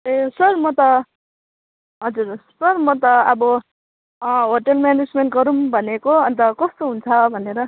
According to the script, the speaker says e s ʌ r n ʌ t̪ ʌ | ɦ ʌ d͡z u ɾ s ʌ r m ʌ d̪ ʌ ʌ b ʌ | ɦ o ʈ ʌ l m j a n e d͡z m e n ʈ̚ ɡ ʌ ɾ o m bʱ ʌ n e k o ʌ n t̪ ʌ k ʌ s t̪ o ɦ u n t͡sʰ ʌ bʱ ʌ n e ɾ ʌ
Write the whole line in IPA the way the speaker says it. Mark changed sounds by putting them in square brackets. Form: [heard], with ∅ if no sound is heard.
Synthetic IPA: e s ʌ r [m] ʌ t̪ ʌ | ɦ ʌ d͡z u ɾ s ʌ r m ʌ [t̪] ʌ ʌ b ʌ | ɦ o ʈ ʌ l m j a n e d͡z m e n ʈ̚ ɡ ʌ ɾ [u] m bʱ ʌ n e k o ʌ n t̪ ʌ k ʌ s t̪ o ɦ u n t͡sʰ ʌ bʱ ʌ n e ɾ ʌ